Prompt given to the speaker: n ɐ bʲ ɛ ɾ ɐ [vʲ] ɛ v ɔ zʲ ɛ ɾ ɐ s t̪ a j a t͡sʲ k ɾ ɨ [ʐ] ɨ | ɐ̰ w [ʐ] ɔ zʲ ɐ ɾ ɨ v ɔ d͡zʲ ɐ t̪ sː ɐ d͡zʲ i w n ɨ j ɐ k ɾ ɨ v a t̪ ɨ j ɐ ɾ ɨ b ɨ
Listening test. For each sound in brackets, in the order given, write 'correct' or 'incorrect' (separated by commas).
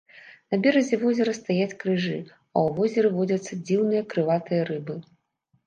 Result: incorrect, correct, incorrect